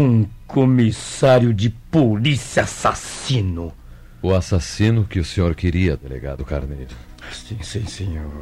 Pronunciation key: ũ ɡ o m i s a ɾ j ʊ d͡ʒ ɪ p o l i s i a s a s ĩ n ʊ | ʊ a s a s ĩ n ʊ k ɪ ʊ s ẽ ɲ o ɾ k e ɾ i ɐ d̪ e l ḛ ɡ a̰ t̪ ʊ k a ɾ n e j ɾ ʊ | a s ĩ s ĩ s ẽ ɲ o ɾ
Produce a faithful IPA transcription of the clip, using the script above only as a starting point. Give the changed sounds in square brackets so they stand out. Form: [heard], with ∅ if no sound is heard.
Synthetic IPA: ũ [k] o m i s a ɾ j ʊ d͡ʒ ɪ p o l i s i a s a s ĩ n ʊ | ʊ a s a s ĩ n ʊ k ɪ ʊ s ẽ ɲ o ɾ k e ɾ i ɐ d̪ e l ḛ ɡ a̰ [d̪] ʊ k a ɾ n e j ɾ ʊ | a s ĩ s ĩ s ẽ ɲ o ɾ